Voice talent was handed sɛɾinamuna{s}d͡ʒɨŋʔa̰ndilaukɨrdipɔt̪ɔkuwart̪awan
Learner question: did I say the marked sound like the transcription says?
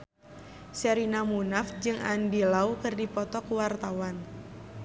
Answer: no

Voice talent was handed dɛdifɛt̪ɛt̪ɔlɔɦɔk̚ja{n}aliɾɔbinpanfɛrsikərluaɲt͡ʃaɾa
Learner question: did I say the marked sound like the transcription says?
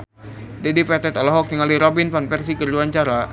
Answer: no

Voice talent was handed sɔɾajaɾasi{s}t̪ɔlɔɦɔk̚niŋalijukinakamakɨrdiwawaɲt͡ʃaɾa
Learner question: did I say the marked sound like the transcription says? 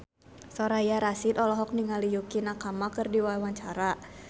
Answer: no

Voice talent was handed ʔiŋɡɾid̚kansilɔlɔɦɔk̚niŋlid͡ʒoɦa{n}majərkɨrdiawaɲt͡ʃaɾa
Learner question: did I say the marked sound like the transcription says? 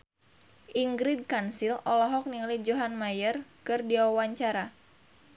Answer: yes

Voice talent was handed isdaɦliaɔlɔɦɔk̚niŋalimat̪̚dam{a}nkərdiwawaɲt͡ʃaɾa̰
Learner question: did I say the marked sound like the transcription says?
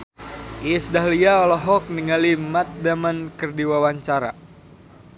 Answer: yes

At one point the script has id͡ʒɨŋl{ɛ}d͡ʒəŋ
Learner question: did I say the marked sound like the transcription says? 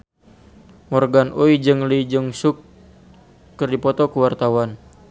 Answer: no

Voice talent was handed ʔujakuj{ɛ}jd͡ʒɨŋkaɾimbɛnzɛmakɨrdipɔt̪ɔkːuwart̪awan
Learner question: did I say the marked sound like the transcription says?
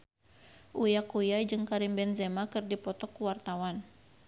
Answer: no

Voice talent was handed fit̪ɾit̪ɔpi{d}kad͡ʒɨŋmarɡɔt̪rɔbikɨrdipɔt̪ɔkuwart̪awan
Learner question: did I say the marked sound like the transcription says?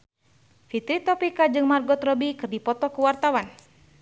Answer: no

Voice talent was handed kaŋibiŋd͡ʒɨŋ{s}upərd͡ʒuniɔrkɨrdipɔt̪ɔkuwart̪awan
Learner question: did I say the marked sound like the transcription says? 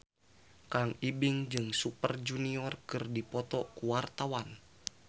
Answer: yes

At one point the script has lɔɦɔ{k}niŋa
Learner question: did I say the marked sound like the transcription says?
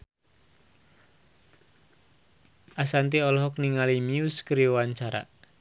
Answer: yes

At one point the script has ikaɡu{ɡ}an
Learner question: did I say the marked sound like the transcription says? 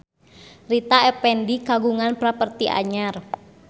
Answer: no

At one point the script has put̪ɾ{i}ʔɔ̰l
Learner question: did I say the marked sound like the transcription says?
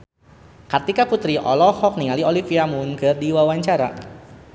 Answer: yes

